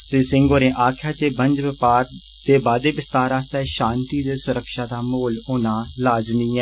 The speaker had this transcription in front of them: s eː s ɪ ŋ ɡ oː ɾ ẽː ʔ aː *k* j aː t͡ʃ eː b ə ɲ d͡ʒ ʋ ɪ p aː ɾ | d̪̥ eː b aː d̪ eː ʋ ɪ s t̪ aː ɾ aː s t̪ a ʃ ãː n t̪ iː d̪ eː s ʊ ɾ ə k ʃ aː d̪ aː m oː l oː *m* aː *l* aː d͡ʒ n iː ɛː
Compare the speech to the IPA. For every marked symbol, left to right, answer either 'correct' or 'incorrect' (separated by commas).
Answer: incorrect, incorrect, correct